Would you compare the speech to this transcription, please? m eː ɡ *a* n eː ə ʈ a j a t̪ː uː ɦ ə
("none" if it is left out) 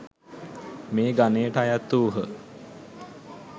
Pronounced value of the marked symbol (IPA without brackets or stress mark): a